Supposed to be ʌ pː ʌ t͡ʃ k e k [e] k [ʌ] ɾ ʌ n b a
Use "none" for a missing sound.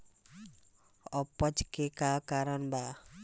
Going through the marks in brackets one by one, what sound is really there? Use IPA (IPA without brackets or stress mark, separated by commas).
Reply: a, a